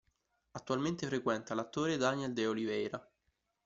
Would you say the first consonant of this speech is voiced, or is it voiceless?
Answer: voiceless